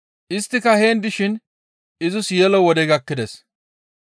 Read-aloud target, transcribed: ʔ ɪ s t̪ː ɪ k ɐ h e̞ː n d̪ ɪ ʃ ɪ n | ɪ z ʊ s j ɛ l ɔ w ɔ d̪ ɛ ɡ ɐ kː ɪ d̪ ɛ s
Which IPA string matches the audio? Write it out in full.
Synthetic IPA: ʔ ɪ s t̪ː ɪ k ɐ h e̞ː n d̪ ɪ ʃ ɪ n | ɪ z ʊ s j ɛ l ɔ w ɔ d̪ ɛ ɡ ɐ kː ɪ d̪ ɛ s